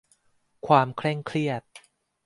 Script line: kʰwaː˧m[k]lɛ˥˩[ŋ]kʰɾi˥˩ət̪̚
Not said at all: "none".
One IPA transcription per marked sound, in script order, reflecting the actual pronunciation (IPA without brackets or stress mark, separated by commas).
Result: kʰ, ŋ